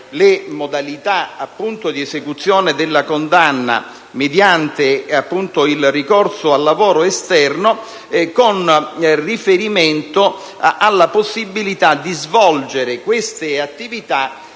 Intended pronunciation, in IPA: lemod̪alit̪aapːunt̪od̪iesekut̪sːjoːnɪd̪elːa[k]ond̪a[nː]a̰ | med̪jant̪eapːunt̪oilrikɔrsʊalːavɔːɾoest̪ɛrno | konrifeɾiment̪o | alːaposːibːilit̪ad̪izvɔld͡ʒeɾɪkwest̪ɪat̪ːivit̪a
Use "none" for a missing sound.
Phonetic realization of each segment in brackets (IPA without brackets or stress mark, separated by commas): k, nː